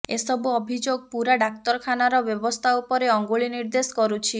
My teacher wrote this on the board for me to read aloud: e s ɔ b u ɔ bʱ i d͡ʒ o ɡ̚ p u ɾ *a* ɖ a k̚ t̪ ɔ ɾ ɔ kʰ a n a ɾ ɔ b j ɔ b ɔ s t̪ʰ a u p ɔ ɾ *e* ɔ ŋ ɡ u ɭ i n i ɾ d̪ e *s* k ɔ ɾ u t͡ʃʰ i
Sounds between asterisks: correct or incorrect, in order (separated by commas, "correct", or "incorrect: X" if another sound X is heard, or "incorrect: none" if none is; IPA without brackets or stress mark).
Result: correct, correct, correct